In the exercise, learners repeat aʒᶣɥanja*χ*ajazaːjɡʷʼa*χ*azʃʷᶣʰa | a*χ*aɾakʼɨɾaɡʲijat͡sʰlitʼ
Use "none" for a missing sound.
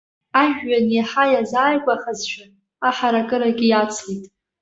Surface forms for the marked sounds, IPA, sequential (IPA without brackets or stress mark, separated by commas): ħ, χ, ħ